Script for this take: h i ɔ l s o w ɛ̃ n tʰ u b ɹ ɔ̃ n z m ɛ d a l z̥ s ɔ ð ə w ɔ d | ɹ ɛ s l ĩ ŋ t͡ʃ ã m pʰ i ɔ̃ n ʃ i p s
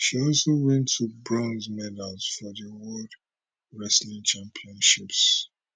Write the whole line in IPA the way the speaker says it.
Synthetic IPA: ʃ i ɔ l s o w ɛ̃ n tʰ u b ɹ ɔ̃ n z m ɛ d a l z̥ f ɔ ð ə w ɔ d | ɹ ɛ s l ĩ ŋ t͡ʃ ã m pʰ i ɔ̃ n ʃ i p s